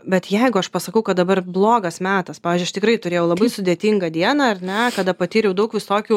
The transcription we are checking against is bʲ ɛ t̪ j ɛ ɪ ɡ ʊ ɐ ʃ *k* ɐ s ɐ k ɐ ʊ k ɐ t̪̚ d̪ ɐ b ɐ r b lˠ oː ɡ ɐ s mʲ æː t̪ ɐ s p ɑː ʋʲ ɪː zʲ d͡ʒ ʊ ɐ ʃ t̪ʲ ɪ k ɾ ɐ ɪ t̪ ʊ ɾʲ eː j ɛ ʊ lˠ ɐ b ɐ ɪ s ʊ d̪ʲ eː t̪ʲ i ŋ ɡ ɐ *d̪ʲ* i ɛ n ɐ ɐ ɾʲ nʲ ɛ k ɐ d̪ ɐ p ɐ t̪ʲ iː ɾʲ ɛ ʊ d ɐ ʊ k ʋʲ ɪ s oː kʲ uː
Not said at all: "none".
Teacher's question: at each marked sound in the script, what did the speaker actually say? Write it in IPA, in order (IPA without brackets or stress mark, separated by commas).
p, d̪ʲ